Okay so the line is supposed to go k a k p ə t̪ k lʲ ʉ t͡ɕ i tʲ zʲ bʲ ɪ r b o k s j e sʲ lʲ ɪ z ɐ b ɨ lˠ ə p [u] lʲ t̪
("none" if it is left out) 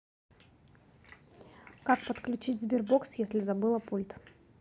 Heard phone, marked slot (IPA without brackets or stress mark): u